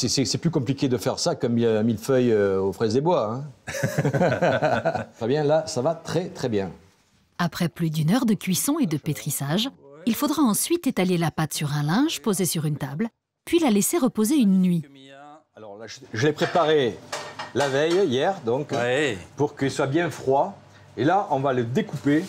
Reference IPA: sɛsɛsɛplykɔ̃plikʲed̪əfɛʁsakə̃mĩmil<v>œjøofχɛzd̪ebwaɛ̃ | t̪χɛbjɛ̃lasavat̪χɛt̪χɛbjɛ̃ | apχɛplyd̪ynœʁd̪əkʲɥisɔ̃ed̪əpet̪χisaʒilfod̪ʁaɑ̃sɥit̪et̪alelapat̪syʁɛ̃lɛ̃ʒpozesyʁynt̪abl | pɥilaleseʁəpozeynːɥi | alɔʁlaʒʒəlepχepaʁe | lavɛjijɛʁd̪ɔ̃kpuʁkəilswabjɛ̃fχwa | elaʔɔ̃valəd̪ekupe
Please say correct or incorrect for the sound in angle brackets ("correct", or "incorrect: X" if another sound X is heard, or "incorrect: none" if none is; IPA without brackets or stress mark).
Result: incorrect: f